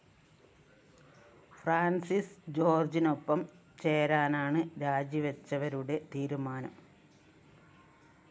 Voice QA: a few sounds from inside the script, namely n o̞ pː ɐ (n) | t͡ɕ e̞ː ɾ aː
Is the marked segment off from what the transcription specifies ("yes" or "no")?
yes